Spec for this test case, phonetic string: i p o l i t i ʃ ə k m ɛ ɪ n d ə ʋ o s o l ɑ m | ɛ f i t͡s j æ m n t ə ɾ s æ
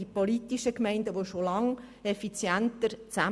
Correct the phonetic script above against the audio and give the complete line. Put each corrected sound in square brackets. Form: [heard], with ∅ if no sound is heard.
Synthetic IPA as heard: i p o l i t i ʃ ə k m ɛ ɪ n d ə ʋ o [ʃ] o l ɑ [ŋ] | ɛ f i t͡s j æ [∅] n t ə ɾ [t͡s] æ